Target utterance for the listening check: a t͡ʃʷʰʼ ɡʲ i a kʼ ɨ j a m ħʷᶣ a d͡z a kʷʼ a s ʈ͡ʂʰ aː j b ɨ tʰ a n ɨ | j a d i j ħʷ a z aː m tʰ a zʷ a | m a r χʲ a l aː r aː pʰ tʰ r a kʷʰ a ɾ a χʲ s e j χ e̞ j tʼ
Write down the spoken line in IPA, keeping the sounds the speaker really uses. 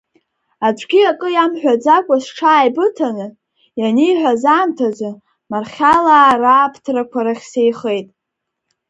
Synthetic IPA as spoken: a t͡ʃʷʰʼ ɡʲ i a kʼ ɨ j a m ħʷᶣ a d͡z a kʷʼ a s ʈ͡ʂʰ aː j b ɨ tʰ a n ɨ | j a n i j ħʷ a z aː m tʰ a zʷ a | m a r χʲ a l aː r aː pʰ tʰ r a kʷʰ a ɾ a χʲ s e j χ e̞ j tʼ